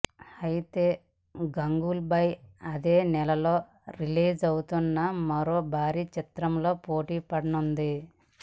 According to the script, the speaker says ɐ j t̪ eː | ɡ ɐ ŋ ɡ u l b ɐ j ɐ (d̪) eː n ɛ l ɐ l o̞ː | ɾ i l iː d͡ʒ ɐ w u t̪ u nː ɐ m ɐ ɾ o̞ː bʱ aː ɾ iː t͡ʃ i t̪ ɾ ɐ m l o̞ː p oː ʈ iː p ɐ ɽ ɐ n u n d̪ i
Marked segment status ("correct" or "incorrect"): correct